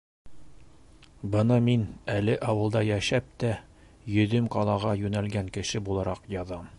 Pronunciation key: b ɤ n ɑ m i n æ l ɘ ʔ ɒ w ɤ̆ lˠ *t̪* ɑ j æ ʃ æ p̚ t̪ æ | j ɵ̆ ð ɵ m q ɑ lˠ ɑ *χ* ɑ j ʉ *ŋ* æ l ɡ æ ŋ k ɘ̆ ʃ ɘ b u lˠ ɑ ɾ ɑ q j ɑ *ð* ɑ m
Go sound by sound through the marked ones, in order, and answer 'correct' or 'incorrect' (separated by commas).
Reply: incorrect, incorrect, incorrect, correct